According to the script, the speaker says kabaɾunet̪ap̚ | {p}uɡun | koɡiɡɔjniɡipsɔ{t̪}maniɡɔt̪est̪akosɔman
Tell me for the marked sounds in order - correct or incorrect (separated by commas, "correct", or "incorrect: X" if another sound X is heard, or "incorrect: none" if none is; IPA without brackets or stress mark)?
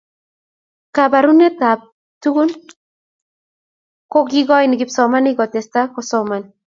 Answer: incorrect: t, incorrect: none